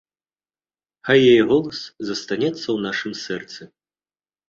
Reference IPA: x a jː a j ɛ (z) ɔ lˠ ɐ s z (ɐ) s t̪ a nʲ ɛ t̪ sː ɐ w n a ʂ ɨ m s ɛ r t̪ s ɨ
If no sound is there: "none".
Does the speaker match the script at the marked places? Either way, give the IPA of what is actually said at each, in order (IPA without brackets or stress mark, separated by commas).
ɣ, ɐ